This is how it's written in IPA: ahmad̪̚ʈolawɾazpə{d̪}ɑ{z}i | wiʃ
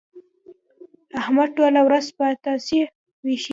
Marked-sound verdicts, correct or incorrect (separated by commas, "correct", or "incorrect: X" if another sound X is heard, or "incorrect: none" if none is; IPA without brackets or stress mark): incorrect: t̪, incorrect: s